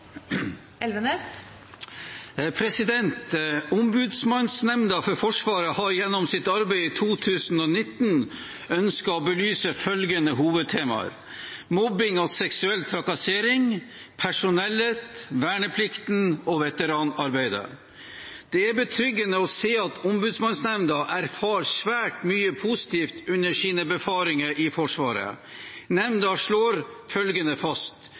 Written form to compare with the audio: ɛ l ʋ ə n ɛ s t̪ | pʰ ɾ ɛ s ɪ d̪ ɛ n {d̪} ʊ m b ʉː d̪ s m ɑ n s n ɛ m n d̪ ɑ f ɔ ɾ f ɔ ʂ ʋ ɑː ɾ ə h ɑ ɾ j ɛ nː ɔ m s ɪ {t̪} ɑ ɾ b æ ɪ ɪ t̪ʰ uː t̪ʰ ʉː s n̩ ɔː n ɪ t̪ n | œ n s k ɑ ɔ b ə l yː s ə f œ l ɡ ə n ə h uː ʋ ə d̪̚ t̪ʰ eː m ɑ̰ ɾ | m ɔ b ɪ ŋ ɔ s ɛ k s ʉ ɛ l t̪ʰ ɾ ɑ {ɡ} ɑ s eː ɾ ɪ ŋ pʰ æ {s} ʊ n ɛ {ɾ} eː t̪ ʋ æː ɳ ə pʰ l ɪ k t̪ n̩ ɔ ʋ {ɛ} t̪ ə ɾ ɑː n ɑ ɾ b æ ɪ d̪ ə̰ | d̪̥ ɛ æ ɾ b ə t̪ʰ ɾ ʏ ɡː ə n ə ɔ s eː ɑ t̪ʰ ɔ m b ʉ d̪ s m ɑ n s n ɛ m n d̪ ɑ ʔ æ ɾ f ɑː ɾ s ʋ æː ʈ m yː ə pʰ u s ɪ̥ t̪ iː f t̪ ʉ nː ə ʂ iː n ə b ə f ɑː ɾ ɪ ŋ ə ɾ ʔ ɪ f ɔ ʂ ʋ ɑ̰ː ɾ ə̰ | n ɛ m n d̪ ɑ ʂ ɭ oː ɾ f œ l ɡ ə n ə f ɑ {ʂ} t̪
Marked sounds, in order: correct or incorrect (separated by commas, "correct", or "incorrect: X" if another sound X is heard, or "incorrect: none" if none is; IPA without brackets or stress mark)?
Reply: incorrect: t̪, correct, incorrect: k, incorrect: ʂ, incorrect: l, correct, incorrect: s